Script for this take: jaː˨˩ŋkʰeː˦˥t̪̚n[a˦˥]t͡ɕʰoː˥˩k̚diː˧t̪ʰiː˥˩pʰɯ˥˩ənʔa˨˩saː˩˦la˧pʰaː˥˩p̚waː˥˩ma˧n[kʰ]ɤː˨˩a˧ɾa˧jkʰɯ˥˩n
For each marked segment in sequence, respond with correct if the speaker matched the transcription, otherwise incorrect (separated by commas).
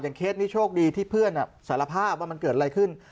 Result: incorrect, incorrect